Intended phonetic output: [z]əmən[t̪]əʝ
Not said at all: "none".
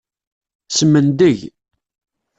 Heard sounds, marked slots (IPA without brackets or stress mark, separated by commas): s, d̪